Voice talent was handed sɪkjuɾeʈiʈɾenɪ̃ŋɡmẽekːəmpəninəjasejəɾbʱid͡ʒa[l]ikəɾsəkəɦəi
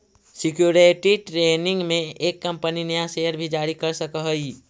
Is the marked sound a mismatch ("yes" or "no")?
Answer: yes